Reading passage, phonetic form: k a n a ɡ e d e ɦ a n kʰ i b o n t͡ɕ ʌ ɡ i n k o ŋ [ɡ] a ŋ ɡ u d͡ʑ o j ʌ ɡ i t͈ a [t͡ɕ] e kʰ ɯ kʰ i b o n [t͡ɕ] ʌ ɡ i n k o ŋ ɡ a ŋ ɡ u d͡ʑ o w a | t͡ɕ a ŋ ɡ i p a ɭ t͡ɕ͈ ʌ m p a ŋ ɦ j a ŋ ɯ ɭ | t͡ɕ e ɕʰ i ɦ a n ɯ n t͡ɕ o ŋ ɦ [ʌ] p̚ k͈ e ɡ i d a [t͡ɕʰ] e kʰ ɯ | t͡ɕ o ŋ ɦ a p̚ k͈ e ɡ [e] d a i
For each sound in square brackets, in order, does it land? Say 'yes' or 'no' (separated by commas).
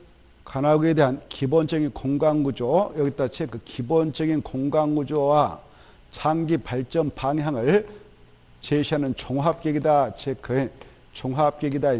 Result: yes, no, yes, no, yes, no